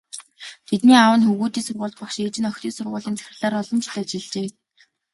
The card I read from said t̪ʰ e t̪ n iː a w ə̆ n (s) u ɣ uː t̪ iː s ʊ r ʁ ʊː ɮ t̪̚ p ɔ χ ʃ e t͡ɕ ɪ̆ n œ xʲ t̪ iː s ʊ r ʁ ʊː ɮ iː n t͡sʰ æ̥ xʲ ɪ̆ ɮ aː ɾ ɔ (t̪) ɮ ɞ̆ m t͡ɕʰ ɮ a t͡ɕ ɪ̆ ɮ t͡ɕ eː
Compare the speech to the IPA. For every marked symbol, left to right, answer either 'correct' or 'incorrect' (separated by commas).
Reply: incorrect, incorrect